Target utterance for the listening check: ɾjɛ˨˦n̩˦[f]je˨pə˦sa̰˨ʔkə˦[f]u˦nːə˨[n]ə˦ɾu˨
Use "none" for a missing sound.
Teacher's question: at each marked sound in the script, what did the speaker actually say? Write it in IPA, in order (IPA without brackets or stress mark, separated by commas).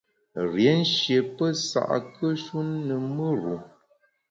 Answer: ʃ, ʃ, m